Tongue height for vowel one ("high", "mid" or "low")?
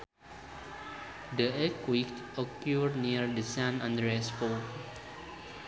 mid